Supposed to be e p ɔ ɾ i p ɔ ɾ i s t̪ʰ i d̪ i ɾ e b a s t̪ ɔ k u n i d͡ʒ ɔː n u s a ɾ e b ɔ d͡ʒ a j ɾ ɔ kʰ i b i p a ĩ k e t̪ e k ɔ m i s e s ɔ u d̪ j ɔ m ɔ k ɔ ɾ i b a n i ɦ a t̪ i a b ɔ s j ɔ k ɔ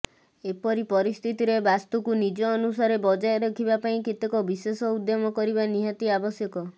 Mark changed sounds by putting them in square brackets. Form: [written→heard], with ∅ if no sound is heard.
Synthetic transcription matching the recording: e p ɔ ɾ i p ɔ ɾ i s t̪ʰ i [d̪→t̪] i ɾ e b a s t̪ [ɔ→u] k u n i d͡ʒ ɔː n u s a ɾ e b ɔ d͡ʒ a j ɾ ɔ kʰ i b [i→a] p a ĩ k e t̪ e k ɔ [m→b] i s e s ɔ u d̪ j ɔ m ɔ k ɔ ɾ i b a n i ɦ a t̪ i a b ɔ s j ɔ k ɔ